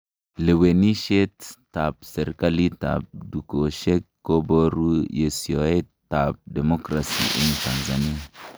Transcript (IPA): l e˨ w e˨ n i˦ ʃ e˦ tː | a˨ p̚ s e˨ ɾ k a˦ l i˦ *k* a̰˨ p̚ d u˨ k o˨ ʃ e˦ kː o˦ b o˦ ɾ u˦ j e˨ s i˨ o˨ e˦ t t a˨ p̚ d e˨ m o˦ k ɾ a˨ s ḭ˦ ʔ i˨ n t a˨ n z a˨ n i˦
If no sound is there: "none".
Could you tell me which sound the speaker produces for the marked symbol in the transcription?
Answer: t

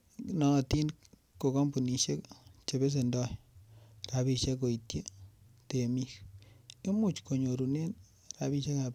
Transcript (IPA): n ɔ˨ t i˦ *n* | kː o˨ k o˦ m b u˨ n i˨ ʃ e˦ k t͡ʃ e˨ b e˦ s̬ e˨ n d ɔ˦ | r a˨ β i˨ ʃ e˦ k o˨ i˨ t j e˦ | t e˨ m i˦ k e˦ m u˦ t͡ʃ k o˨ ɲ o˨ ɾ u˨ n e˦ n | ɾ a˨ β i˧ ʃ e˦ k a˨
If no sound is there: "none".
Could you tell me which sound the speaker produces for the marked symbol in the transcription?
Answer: n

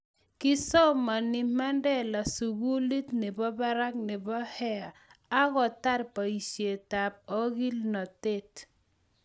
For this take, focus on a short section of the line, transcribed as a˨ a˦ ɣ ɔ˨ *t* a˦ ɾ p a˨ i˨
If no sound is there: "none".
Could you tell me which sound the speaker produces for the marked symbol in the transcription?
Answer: t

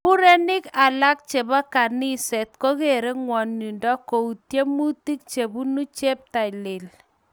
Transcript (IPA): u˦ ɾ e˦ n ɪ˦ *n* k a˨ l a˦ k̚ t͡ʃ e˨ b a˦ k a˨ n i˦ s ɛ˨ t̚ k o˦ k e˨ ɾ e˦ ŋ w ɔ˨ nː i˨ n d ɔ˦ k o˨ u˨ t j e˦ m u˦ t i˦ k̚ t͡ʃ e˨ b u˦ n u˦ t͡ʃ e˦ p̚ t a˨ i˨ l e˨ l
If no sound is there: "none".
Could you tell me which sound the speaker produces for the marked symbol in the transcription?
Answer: none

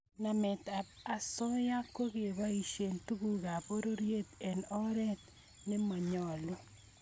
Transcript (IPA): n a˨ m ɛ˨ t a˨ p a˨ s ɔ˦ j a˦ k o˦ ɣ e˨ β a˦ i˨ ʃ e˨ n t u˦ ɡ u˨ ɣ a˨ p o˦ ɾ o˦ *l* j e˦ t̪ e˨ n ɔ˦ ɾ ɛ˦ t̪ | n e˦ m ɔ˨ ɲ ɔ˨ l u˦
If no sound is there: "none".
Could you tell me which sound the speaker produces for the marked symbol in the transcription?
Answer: ɾ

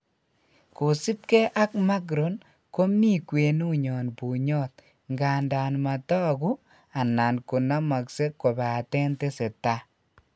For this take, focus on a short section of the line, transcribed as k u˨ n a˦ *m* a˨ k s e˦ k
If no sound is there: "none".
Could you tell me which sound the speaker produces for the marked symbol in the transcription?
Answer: m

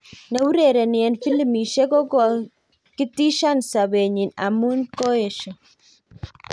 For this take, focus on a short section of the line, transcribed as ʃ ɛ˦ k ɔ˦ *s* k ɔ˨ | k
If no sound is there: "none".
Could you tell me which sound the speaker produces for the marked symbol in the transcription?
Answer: none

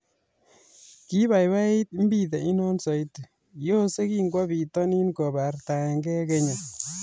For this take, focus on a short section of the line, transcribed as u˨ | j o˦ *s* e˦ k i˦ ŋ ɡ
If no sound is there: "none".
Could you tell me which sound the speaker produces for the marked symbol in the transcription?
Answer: s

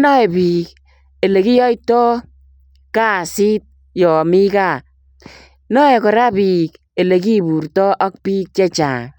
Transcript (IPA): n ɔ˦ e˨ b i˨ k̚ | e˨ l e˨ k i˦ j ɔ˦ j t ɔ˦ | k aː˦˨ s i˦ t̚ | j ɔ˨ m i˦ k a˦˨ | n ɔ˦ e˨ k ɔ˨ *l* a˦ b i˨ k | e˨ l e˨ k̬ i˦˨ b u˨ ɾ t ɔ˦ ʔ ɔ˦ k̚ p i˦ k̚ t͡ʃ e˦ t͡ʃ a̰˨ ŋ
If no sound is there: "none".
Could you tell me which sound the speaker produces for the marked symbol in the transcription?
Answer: ɾ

